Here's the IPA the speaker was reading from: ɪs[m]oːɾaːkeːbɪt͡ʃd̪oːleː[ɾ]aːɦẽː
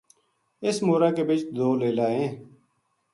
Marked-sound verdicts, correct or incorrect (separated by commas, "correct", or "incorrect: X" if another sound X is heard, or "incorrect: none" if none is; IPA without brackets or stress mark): correct, incorrect: l